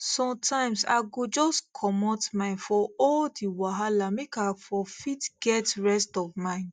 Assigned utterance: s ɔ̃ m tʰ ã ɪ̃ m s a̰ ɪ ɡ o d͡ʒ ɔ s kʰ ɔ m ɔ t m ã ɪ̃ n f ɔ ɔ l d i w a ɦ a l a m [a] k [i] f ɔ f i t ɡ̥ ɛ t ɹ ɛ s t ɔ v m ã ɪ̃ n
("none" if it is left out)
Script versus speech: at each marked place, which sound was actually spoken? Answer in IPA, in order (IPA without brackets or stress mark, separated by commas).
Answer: e, a